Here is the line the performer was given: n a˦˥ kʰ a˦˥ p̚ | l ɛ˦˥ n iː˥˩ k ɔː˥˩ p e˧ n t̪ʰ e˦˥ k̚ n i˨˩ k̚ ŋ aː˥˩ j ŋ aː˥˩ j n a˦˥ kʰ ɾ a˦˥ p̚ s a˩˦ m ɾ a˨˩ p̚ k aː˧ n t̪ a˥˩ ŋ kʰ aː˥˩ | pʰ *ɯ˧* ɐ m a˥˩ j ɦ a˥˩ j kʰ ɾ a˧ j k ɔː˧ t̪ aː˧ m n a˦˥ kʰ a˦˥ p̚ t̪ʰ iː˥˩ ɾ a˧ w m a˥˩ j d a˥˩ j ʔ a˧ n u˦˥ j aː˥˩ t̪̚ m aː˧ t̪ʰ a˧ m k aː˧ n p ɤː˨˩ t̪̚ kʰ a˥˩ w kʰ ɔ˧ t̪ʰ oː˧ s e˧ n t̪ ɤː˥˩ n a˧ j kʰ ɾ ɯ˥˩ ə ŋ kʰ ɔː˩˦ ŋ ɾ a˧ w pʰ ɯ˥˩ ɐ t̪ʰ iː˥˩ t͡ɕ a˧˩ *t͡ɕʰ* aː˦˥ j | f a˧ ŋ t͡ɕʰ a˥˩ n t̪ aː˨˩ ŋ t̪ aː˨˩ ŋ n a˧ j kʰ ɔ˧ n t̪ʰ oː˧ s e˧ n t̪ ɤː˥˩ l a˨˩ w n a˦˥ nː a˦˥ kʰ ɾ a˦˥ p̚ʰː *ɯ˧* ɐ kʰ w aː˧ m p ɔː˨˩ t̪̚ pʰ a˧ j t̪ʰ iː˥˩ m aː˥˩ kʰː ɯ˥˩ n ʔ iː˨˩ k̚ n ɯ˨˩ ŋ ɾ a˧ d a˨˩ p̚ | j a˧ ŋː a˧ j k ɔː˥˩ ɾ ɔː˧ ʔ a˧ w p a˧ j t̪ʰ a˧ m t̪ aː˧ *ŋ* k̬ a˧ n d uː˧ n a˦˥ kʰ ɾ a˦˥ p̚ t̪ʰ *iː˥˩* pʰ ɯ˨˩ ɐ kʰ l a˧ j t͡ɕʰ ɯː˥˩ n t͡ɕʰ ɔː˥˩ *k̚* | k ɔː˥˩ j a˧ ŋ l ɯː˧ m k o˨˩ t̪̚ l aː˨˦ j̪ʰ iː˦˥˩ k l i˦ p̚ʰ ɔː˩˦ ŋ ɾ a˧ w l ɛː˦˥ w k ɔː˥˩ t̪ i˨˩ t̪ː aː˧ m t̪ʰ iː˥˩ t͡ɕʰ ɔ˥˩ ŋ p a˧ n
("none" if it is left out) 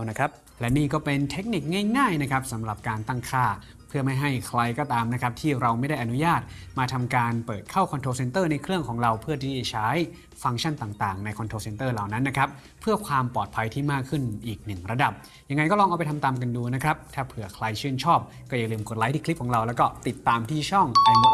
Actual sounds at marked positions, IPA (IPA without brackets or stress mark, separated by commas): ɯ˥˩, t͡ɕʰ, ɯ˥˩, m, aː˥˩, p̚